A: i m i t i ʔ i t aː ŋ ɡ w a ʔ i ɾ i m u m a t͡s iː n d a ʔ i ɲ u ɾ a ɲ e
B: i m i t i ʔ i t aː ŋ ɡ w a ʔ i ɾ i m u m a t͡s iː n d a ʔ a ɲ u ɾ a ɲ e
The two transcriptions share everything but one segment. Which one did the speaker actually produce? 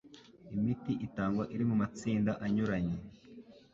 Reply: B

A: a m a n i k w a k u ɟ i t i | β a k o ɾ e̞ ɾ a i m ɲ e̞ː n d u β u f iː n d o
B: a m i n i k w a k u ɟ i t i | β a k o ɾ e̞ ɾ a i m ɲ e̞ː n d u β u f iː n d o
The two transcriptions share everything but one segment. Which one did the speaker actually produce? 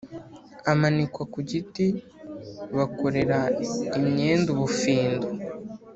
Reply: A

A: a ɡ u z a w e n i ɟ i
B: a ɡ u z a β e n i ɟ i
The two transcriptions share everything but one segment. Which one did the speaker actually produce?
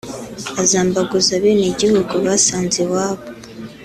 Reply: B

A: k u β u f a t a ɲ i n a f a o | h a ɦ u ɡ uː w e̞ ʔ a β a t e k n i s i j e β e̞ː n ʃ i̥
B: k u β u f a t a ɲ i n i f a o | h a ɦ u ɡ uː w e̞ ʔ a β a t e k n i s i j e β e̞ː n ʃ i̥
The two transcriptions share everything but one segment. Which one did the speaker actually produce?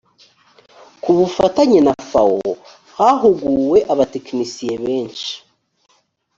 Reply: A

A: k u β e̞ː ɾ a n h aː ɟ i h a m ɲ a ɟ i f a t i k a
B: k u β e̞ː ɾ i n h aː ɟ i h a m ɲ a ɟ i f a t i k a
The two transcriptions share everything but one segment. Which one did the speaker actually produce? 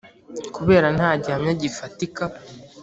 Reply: A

